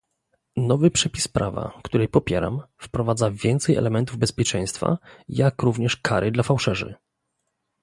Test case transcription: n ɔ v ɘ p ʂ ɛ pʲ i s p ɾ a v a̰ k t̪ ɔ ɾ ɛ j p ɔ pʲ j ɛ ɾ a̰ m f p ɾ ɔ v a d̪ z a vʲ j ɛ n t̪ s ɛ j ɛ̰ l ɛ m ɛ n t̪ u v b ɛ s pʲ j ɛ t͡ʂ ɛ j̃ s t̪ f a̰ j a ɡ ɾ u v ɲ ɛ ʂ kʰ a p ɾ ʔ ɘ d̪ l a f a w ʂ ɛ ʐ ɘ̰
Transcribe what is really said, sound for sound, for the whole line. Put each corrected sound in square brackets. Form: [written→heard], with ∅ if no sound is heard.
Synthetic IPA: n ɔ v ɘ p ʂ ɛ pʲ i s p ɾ a v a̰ k t̪ [ɔ→u] ɾ ɛ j p ɔ pʲ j ɛ ɾ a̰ m f p ɾ ɔ v a d̪ z a vʲ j ɛ n t̪ s ɛ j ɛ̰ l ɛ m ɛ n t̪ u v b ɛ s pʲ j ɛ t͡ʂ ɛ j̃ s t̪ f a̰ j a [ɡ→k] ɾ u v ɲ ɛ ʂ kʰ a [p→∅] ɾ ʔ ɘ d̪ l a f a w ʂ ɛ ʐ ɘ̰